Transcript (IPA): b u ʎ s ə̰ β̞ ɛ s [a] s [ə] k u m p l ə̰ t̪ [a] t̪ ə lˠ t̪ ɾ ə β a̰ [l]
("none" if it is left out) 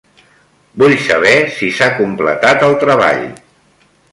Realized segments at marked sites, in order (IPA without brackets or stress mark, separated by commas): i, a, a, ʎ